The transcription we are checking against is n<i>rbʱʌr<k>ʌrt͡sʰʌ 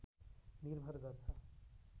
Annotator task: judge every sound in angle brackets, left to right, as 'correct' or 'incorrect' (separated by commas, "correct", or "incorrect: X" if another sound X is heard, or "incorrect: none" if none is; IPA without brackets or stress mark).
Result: correct, incorrect: ɡ